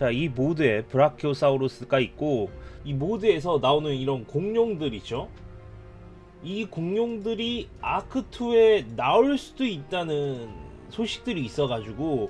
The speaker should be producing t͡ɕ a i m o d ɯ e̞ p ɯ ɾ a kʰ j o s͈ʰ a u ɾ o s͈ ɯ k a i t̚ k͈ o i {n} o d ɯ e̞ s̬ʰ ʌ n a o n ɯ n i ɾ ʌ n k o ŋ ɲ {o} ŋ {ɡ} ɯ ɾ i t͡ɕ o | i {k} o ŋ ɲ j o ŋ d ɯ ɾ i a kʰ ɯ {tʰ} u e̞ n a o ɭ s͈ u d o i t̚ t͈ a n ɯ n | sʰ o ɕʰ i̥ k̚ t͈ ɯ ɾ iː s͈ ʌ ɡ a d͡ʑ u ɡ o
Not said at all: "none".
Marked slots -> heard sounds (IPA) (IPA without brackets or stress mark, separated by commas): m, o, d, k, tʰ